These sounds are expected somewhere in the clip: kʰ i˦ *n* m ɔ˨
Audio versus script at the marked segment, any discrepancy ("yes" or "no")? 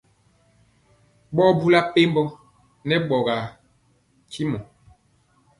yes